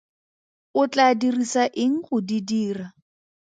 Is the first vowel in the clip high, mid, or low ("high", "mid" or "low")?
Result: high